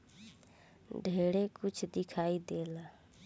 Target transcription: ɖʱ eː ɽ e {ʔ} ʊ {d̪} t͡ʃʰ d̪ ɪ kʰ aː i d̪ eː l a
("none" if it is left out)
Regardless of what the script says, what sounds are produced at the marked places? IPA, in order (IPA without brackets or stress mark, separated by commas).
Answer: k, none